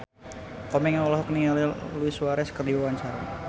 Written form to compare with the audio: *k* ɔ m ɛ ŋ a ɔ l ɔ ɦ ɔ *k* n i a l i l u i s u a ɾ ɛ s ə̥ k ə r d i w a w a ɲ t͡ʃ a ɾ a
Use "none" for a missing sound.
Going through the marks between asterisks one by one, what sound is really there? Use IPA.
k, k

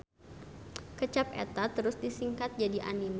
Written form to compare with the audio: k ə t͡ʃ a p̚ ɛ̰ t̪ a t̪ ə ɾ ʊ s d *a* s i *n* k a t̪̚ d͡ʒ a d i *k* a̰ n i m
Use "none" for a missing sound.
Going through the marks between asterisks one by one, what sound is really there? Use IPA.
i, ŋ, ʔ

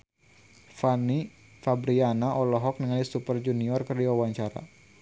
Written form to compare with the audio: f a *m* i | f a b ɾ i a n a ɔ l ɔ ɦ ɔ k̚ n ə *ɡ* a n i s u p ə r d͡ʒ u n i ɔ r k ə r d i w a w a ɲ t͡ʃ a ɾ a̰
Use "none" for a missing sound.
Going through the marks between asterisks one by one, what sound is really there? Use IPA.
n, ŋ

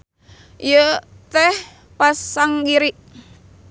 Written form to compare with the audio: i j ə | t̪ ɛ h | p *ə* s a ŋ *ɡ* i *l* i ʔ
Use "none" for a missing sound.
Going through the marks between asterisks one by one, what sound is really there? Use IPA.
a, ɡ, ɾ

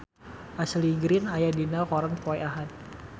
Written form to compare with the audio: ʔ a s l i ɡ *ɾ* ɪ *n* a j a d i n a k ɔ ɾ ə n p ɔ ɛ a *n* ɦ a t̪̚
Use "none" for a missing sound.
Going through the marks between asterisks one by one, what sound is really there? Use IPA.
ɾ, n, none

